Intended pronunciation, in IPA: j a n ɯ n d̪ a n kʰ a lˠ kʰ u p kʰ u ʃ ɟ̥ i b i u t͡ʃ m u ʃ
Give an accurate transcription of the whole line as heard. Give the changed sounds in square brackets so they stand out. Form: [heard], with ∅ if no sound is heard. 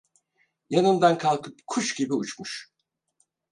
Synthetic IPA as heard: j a n ɯ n d̪ a n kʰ a lˠ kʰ [ɯ] p kʰ u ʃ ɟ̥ i b i u t͡ʃ m u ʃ